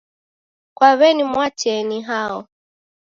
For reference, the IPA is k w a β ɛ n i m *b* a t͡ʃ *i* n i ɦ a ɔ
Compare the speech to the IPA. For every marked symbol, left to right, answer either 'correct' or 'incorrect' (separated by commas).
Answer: incorrect, incorrect